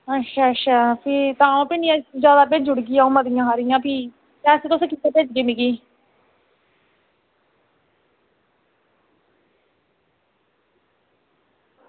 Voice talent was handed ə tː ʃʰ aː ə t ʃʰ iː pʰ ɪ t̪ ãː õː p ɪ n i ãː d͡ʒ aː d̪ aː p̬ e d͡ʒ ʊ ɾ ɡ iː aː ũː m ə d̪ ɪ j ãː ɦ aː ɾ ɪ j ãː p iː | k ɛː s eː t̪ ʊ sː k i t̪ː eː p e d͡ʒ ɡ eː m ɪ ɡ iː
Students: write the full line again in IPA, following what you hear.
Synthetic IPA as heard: ə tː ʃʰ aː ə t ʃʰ aː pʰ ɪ t̪ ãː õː p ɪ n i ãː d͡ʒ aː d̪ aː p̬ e d͡ʒ ʊ ɽ ɡ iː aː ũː m ə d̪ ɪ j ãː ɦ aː ɾ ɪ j ãː p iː | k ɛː s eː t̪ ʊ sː k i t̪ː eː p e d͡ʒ ɡ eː m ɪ ɡ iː